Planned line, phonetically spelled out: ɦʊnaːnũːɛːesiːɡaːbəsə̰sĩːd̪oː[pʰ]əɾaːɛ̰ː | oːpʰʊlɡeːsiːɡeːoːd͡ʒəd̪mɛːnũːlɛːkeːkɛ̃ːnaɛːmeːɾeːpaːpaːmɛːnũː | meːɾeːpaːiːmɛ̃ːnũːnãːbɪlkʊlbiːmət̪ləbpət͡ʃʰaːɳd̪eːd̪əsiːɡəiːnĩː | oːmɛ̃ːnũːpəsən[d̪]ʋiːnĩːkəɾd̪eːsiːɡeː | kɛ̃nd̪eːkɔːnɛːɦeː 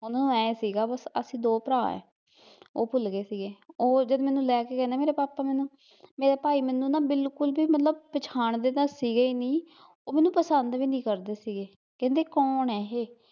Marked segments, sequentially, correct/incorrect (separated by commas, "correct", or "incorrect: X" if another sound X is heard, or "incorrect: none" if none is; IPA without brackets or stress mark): incorrect: p, correct